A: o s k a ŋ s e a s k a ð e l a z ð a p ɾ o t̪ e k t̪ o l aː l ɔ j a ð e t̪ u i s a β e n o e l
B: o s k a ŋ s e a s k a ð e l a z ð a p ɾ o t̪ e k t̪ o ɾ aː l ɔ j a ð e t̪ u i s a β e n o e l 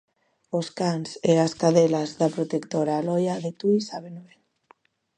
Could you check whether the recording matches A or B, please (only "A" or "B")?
B